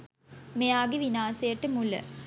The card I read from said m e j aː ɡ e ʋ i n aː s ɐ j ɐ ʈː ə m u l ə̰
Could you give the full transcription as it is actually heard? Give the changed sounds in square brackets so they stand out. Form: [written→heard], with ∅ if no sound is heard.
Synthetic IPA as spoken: m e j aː ɡ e ʋ i n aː s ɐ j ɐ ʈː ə m u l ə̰